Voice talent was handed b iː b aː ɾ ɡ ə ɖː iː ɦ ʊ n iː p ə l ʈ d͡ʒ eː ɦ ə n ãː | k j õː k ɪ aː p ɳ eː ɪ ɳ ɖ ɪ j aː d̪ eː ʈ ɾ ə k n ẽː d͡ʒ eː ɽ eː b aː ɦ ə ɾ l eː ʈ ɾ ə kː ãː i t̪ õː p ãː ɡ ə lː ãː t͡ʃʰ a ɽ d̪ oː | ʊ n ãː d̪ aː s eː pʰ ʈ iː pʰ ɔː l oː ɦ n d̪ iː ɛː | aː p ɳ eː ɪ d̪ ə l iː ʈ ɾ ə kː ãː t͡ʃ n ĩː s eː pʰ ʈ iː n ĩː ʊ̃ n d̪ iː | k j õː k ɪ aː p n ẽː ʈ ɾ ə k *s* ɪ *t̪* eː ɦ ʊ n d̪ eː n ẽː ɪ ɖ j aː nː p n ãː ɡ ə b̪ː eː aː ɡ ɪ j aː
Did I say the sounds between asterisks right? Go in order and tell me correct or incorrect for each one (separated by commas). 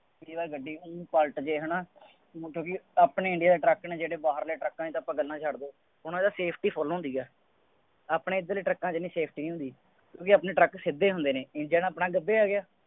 correct, incorrect